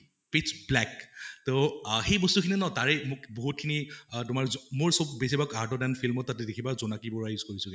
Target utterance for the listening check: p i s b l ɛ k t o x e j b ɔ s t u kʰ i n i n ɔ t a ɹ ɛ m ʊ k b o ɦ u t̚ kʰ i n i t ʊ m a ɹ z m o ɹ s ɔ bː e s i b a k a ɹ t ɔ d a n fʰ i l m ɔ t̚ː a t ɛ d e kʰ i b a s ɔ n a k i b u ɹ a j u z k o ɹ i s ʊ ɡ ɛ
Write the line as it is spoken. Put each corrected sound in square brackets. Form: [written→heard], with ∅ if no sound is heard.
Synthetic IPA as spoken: p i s b l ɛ k t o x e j b ɔ s t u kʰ i n i n ɔ t a ɹ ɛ m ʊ k b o ɦ u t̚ kʰ i n i t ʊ m a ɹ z m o ɹ s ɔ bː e s i b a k a ɹ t ɔ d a n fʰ i l m ɔ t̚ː a t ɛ d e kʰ i b a [s→z] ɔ n a k i b [u→ɔ] ɹ a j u z k o ɹ i s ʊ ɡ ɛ